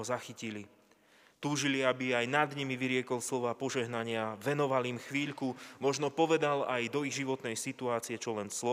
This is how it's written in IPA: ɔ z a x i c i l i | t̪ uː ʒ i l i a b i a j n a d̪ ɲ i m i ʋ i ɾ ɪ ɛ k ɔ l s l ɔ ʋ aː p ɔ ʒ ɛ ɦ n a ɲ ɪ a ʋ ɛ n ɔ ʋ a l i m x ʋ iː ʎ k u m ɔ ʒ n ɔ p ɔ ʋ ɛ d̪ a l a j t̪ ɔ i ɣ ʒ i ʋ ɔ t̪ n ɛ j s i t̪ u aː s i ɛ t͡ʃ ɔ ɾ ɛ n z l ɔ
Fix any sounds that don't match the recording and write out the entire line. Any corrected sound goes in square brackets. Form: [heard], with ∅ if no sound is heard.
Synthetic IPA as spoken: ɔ z a x i c i l i | t̪ uː ʒ i l i a b i a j n a d̪ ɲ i m i ʋ i ɾ ɪ ɛ k ɔ l s l ɔ ʋ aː p ɔ ʒ ɛ ɦ n a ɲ ɪ a ʋ ɛ n ɔ ʋ a l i m x ʋ iː ʎ k u m ɔ ʒ n ɔ p ɔ ʋ ɛ d̪ a l a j [d̪] ɔ i ɣ ʒ i ʋ ɔ t̪ n ɛ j s i t̪ u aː [t͡s] i ɛ t͡ʃ ɔ [l] ɛ n [s] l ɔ